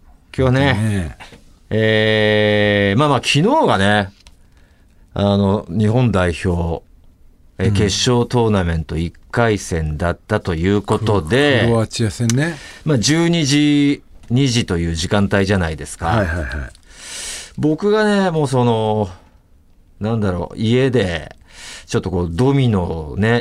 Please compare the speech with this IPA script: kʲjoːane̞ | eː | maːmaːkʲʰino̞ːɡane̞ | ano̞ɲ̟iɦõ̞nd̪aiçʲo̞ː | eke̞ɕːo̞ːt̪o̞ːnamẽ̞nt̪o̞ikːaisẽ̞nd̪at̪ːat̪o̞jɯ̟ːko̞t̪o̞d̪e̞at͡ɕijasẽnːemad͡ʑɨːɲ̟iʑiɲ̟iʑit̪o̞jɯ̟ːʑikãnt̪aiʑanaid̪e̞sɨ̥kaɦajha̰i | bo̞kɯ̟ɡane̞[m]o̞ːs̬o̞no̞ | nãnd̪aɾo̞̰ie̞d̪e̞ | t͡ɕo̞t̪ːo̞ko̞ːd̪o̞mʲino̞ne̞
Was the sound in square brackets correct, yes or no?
yes